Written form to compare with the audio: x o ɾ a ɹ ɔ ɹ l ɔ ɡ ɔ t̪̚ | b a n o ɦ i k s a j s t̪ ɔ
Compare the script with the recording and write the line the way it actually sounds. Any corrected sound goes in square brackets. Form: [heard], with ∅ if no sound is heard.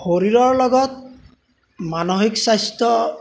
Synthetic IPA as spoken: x o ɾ [i] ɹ ɔ ɹ l ɔ ɡ ɔ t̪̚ | [m] a n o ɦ i k s a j s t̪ ɔ